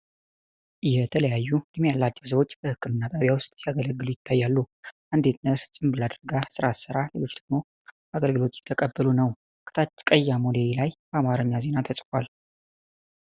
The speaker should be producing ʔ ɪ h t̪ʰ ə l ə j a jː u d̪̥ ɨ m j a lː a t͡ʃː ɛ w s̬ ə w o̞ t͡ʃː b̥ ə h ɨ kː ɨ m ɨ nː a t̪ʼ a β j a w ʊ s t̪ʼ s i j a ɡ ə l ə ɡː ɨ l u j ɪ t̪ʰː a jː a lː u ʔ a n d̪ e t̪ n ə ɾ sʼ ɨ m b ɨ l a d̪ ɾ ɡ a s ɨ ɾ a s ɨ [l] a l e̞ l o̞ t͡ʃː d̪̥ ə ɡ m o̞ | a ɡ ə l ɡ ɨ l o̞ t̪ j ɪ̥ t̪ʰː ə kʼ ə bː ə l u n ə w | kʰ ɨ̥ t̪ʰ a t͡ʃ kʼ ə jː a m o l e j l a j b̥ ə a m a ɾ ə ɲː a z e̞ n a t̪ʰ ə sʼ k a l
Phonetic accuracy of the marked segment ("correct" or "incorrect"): incorrect